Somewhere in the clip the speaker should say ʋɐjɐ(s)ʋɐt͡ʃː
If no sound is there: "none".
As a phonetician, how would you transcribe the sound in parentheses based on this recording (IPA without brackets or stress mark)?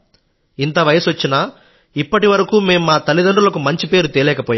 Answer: s